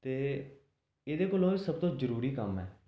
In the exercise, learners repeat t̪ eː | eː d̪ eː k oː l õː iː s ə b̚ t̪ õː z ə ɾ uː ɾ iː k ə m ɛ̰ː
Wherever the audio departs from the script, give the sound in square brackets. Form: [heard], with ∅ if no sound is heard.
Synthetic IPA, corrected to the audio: t̪ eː | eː d̪ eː k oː l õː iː s ə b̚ t̪ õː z ə ɾ uː ɾ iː k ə m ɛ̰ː